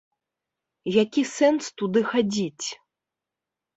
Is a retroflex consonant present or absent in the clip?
absent